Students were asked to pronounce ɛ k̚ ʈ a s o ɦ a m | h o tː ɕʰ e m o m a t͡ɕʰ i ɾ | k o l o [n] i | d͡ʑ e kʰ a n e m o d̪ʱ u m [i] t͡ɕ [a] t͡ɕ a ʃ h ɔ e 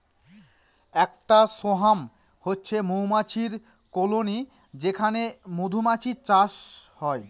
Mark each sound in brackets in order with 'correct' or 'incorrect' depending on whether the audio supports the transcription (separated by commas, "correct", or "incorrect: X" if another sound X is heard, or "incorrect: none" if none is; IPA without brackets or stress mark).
correct, incorrect: a, incorrect: i